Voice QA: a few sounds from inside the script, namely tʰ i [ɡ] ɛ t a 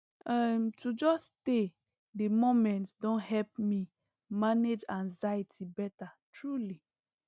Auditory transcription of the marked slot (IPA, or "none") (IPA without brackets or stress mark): b